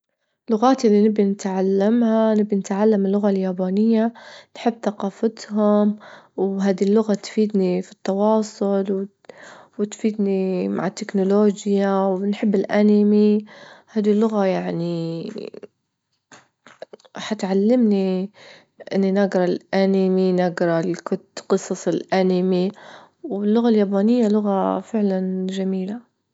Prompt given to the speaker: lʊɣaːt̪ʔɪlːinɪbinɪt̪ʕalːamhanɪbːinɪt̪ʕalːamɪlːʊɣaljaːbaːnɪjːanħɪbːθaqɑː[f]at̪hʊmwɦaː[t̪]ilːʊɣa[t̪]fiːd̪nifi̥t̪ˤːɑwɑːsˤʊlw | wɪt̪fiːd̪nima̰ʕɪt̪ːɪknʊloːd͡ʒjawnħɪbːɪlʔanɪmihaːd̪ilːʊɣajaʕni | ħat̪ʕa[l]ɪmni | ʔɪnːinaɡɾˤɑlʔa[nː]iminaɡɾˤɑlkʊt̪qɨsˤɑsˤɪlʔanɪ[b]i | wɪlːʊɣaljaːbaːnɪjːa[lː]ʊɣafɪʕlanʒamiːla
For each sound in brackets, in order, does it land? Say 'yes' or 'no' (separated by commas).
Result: yes, no, yes, no, no, no, no